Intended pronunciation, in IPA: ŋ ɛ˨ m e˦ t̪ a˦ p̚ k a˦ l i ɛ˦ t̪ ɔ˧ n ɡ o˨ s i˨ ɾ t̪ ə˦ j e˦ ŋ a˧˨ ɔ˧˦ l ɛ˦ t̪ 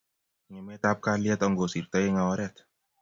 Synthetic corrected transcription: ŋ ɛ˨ m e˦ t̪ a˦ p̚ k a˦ l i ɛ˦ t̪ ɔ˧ ŋ ɡ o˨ s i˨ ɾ t̪ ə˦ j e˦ ŋ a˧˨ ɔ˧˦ ɾ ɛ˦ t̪